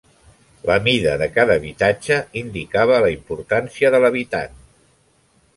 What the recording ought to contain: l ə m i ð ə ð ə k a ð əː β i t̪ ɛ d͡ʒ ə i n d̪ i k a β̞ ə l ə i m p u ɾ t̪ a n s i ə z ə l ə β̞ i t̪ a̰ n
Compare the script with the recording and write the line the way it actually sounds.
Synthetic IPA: l ə m i ð ə ð ə k a ð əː β i t̪ a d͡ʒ ə i n d̪ i k a β̞ ə l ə i m p u ɾ t̪ a n s i ə ð ə l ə β̞ i t̪ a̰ n

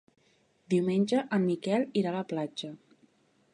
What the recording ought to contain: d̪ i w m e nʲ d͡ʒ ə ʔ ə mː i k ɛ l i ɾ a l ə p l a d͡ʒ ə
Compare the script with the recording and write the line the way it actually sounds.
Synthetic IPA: d̪ i w m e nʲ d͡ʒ ə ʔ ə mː i k ɛ l i ɾ a l ə p l a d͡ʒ ə

